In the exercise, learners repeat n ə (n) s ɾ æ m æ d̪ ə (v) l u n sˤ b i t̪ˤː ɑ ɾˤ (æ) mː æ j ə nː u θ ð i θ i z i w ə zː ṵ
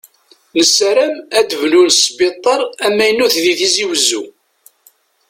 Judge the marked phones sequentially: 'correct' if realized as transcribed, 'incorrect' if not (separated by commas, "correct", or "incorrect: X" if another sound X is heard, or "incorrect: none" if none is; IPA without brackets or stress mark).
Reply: incorrect: none, correct, correct